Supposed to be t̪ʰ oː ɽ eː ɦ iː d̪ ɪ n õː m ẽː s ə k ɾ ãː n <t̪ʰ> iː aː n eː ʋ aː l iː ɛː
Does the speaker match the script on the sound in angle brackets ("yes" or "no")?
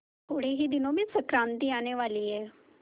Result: no